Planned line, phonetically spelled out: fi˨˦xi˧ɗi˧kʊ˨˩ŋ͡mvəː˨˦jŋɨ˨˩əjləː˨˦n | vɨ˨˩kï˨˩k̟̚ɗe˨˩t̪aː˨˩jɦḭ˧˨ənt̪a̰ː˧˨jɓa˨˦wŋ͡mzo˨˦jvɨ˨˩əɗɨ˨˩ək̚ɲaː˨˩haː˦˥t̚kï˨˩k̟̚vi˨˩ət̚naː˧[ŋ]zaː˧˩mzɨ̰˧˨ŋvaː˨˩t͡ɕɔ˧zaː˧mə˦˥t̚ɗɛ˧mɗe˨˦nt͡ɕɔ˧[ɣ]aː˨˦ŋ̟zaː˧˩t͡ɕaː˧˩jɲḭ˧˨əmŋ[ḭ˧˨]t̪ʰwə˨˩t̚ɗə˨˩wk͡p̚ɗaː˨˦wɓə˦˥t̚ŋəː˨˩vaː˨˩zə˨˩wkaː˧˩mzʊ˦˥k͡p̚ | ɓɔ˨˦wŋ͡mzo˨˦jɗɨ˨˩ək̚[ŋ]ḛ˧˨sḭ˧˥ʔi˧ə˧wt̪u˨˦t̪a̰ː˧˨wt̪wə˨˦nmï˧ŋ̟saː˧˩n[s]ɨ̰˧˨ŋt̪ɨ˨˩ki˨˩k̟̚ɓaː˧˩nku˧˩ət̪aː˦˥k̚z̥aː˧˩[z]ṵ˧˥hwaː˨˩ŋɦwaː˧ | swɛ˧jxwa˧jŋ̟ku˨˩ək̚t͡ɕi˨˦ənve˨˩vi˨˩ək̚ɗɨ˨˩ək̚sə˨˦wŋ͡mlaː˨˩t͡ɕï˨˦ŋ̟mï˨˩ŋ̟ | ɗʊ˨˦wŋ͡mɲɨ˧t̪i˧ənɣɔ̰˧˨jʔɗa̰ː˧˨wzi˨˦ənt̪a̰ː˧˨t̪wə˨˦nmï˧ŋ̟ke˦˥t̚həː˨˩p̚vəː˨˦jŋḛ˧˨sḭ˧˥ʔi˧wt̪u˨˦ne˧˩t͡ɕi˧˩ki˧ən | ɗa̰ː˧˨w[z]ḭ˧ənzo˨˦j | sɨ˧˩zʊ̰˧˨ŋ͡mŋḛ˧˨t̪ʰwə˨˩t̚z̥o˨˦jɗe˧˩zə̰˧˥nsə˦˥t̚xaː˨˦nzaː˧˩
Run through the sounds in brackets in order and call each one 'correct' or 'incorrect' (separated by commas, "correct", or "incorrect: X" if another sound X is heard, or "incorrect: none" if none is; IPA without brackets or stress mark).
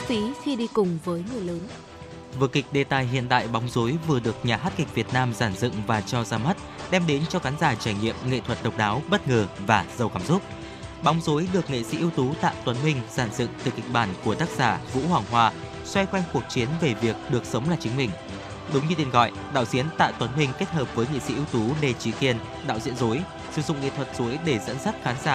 incorrect: m, correct, incorrect: ḛ˧˨, correct, incorrect: z, incorrect: v, correct